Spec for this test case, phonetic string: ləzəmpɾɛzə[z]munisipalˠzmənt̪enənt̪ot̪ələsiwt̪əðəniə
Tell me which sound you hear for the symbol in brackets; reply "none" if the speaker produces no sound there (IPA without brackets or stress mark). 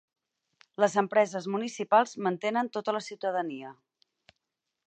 z